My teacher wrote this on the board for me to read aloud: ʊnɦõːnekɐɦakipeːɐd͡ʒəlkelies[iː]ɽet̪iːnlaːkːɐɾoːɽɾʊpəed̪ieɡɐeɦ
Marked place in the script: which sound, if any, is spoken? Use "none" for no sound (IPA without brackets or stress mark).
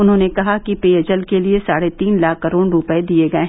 aː